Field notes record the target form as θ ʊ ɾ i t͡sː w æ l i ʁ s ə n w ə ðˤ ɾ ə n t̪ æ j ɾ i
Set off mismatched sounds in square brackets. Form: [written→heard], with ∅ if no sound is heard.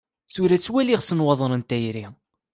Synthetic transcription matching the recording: θ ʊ ɾ [i→æ] t͡sː w æ l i ʁ s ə n w [ə→ɑ] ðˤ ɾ ə n t̪ æ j ɾ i